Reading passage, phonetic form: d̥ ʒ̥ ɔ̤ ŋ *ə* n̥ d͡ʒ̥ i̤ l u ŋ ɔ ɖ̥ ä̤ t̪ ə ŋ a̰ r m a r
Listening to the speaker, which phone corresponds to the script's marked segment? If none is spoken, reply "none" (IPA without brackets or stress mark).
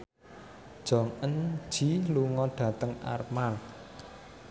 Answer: ə